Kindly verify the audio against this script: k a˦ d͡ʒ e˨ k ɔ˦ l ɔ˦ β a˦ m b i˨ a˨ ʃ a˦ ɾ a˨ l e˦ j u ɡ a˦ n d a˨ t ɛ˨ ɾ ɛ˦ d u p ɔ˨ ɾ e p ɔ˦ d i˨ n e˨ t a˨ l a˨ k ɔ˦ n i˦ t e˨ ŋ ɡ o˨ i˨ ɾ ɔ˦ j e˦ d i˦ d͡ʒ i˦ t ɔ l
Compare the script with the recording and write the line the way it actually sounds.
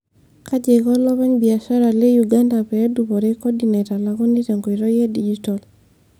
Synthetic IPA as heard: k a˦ d͡ʒ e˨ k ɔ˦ l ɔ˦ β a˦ ɲ b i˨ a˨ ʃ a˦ ɾ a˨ l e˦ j u ɡ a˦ n d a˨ p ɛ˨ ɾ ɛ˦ d u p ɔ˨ ɾ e k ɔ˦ d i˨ n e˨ t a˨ l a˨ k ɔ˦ n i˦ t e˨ ŋ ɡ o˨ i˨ ɾ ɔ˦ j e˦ d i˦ d͡ʒ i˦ t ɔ l